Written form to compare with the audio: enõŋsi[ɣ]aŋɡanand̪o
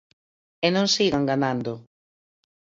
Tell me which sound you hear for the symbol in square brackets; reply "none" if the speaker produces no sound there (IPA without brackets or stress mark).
ɣ